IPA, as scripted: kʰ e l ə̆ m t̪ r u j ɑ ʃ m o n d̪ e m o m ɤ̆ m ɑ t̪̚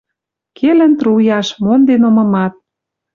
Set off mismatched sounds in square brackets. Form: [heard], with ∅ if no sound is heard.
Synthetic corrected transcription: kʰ e l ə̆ [n] t̪ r u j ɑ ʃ m o n d̪ e [n] o m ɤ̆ m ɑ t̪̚